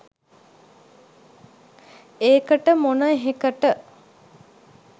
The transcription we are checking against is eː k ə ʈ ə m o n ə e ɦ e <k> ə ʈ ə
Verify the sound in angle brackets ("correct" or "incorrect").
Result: correct